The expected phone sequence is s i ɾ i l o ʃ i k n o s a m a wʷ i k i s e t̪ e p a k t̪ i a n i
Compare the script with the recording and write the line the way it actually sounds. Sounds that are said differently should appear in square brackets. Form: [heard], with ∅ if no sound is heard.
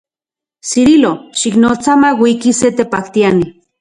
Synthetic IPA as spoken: s i ɾ i l o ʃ i k n o [t͡s] a m a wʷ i k i s e t̪ e p a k t̪ i a n i